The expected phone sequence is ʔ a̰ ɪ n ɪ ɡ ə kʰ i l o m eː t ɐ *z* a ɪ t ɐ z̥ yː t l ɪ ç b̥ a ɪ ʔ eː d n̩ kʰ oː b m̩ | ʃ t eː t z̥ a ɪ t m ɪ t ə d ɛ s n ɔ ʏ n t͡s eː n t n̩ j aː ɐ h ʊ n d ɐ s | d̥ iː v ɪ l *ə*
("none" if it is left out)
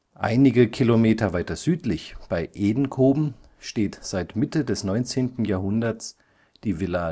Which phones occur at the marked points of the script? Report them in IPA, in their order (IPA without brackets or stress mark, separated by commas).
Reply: v, a